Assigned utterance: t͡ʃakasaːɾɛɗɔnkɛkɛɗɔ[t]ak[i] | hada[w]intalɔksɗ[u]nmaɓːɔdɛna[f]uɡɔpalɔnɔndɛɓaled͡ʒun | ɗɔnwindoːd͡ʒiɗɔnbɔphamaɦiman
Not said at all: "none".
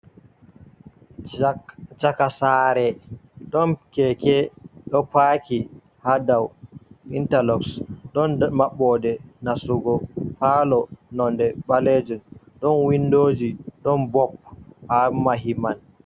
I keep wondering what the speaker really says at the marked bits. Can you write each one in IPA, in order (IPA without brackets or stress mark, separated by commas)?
p, i, w, ɔ, s